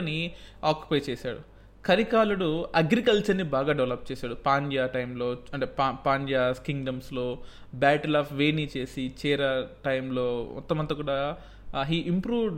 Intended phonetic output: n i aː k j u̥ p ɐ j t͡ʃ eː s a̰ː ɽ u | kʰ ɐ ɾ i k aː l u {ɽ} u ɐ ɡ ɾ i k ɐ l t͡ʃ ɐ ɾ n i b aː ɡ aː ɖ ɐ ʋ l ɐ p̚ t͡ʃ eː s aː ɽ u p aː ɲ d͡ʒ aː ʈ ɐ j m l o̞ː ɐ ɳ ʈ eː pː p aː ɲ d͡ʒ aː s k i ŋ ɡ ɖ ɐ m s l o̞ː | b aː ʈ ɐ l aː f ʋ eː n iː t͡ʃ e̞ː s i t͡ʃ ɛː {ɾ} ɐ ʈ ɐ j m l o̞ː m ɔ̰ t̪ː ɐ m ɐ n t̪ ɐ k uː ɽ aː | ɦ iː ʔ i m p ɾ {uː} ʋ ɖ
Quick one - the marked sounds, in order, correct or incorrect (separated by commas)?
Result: correct, correct, correct